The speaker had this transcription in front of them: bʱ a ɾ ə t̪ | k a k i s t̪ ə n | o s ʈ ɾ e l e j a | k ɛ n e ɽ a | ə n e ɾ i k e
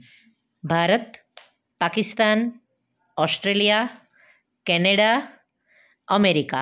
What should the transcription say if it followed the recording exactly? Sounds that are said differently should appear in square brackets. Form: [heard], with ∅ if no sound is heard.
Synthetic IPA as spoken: bʱ a ɾ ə t̪ | [p] a k i s t̪ [a] n | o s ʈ ɾ e l [i] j a | k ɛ n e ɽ a | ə [m] e ɾ i k [a]